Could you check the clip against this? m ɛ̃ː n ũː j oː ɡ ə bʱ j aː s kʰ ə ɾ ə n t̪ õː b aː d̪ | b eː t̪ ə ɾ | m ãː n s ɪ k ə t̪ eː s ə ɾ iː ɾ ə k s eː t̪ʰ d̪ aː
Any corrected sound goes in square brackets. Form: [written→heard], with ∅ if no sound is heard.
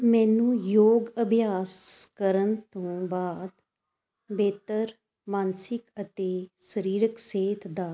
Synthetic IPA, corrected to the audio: m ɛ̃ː n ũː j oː ɡ ə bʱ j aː s [kʰ→k] ə ɾ ə n t̪ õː b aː d̪ | b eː t̪ ə ɾ | m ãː n s ɪ k ə t̪ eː s ə ɾ iː ɾ ə k s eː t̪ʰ d̪ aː